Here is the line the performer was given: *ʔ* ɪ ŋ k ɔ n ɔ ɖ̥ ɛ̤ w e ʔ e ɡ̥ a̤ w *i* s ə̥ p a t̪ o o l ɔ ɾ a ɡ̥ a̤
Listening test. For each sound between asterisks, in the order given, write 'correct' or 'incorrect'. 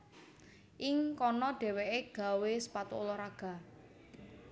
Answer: correct, incorrect

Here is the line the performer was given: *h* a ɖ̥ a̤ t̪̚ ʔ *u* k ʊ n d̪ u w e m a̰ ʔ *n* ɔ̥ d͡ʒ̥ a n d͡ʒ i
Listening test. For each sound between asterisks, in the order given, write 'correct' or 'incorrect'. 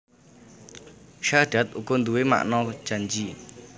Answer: incorrect, correct, correct

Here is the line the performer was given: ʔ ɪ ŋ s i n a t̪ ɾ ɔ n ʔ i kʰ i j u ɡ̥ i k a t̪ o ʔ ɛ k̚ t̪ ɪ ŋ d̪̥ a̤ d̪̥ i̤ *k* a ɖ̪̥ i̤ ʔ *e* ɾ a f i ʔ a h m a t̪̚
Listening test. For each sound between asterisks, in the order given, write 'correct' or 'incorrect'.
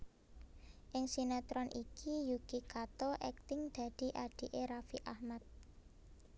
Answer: incorrect, correct

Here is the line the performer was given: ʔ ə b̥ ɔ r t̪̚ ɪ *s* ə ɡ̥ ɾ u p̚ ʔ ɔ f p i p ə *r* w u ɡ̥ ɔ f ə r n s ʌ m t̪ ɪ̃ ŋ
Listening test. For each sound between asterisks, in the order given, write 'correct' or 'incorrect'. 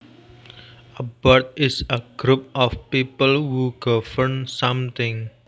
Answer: correct, incorrect

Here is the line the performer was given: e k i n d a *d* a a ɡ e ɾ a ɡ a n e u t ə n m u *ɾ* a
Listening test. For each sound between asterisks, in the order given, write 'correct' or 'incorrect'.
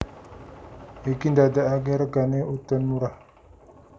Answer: correct, correct

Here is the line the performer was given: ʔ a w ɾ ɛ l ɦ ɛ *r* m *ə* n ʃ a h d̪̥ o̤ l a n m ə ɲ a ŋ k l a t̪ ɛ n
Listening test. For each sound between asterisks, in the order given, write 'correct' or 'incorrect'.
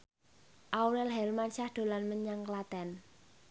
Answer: incorrect, incorrect

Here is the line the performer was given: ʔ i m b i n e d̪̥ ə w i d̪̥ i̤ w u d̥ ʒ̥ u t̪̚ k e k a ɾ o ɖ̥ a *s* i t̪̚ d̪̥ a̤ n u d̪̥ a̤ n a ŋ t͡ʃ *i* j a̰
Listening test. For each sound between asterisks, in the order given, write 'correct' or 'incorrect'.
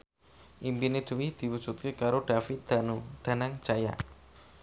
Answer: incorrect, incorrect

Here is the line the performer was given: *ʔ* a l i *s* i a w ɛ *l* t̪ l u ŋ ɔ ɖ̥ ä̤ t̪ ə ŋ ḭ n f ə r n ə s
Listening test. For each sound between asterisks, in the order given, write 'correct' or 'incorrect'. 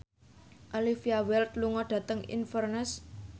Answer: correct, incorrect, correct

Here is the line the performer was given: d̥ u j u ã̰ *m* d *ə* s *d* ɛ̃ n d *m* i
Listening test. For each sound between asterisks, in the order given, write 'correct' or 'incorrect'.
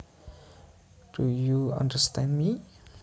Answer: incorrect, correct, incorrect, correct

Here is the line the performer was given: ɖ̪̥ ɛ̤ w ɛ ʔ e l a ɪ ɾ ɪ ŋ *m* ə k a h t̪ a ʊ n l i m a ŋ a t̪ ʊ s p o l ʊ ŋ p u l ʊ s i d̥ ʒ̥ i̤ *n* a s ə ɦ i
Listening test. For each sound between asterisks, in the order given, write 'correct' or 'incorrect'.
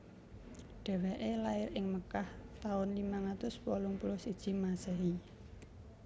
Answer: correct, incorrect

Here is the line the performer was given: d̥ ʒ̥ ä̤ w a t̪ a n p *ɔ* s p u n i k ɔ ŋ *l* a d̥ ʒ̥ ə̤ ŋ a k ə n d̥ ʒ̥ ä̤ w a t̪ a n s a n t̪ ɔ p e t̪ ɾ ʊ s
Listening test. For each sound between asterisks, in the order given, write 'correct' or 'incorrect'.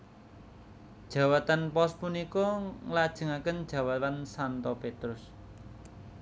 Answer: correct, correct

